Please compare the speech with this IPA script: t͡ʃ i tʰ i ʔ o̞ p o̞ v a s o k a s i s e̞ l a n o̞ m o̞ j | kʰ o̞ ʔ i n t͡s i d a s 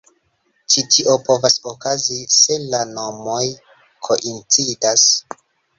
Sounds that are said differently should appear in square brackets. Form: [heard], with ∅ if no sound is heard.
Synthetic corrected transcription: t͡ʃ i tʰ i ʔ o̞ p o̞ v a s o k a [z] i s e̞ l a n o̞ m o̞ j | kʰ o̞ ʔ i n t͡s i d a s